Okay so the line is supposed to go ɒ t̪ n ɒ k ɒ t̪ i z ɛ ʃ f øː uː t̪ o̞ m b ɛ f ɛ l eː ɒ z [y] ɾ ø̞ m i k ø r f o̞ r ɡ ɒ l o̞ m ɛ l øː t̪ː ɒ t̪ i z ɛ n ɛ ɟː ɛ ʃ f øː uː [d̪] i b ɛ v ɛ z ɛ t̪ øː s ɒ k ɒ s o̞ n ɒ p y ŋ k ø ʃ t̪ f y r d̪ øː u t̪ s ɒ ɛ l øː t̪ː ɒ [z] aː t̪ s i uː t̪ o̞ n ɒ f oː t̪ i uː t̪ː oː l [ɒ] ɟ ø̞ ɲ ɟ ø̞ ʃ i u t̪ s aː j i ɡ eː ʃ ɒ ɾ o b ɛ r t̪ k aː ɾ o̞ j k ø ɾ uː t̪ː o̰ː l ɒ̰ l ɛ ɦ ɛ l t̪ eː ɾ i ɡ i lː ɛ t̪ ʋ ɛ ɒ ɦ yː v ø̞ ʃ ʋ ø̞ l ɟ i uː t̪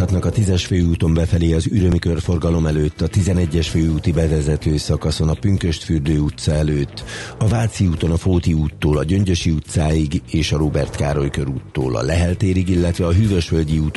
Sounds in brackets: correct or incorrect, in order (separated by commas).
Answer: correct, incorrect, incorrect, correct